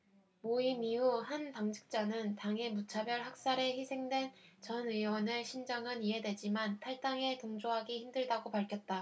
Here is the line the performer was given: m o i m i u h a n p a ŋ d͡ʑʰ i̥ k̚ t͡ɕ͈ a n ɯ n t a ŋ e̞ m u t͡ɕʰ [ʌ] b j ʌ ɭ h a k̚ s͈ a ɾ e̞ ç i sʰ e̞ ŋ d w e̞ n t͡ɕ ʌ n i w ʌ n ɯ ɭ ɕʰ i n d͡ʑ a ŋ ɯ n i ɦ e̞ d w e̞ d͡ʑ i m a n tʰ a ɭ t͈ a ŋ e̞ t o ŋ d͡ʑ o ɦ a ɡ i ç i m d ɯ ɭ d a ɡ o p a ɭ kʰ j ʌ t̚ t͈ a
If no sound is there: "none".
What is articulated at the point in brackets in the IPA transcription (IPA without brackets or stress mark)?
a